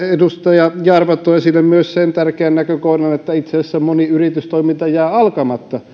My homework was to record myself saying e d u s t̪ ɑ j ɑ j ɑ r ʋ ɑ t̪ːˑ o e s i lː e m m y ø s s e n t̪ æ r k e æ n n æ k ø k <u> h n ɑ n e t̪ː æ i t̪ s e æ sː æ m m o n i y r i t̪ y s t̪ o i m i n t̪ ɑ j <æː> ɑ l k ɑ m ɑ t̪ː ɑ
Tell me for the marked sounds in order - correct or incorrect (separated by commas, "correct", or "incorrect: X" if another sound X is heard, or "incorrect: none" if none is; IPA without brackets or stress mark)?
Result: incorrect: o, correct